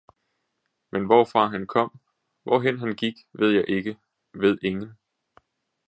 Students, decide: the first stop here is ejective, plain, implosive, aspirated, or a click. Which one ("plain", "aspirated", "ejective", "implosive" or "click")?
aspirated